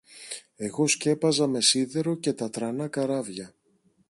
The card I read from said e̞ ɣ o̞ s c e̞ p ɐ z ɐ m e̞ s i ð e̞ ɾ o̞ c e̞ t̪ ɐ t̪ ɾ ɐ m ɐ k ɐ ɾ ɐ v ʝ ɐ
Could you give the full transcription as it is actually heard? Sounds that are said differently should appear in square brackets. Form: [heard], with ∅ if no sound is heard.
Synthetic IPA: e̞ ɣ o̞ s c e̞ p ɐ z ɐ m e̞ s i ð e̞ ɾ o̞ c e̞ t̪ ɐ t̪ ɾ ɐ [n] ɐ k ɐ ɾ ɐ v ʝ ɐ